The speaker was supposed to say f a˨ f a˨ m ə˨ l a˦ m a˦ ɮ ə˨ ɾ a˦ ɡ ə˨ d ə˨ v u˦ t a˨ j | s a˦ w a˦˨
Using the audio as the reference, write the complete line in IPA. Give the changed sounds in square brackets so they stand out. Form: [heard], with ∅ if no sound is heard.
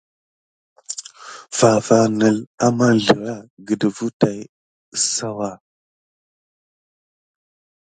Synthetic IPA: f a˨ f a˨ [n] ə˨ l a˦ m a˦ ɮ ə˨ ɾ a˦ ɡ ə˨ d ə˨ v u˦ t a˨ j | s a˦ w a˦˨